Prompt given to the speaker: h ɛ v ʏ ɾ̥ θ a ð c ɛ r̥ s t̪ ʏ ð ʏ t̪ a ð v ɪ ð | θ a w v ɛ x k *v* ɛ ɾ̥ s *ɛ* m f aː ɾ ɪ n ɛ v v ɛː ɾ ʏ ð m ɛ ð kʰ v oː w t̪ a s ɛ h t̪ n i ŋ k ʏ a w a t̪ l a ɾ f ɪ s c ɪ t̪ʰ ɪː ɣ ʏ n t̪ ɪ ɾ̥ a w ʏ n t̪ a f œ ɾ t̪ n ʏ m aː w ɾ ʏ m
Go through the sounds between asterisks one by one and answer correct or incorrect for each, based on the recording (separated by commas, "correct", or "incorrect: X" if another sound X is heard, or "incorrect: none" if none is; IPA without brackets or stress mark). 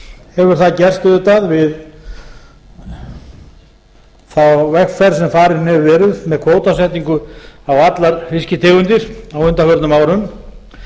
incorrect: f, correct